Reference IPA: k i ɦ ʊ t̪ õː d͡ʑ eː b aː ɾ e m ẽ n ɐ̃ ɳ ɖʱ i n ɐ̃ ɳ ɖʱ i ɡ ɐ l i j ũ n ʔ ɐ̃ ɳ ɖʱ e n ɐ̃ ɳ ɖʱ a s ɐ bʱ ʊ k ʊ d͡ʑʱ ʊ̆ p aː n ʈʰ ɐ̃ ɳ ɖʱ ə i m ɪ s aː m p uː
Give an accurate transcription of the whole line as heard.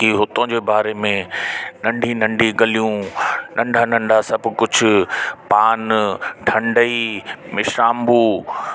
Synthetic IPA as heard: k i ɦ ʊ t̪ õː d͡ʑ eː b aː ɾ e m ẽ n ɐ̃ ɳ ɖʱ i n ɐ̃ ɳ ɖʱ i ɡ ɐ l i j ũ n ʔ ɐ̃ ɳ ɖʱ a n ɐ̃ ɳ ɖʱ a s ɐ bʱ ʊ k ʊ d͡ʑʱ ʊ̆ p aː n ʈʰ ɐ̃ ɳ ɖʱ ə i m ɪ ʃ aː m b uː